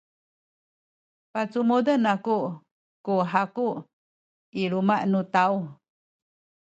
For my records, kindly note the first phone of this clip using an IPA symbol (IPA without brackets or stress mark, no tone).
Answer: p